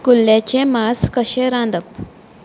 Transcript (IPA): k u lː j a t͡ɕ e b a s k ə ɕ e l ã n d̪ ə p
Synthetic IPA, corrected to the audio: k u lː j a t͡ɕ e m a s k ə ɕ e ɾ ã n d̪ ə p